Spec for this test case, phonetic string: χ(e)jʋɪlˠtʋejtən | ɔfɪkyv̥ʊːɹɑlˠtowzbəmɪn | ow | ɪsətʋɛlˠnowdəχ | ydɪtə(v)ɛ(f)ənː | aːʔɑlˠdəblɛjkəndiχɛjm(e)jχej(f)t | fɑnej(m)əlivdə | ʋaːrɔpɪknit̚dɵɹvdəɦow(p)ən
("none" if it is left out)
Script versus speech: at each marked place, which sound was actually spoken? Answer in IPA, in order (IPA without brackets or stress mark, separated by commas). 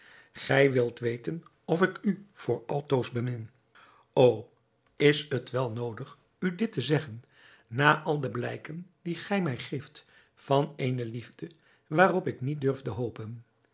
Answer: ɛ, z, χ, ɛ, f, n, p